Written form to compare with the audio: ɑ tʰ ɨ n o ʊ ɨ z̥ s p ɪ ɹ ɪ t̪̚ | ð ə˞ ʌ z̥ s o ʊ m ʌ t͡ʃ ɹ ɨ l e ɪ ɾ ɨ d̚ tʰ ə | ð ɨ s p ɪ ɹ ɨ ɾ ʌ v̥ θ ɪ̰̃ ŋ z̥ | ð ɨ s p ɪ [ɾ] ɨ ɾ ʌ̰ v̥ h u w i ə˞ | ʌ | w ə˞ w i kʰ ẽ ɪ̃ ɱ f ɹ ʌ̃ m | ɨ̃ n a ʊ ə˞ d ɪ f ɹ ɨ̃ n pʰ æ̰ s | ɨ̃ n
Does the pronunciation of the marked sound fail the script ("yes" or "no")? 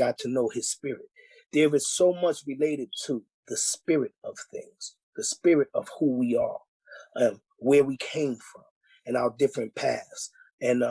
yes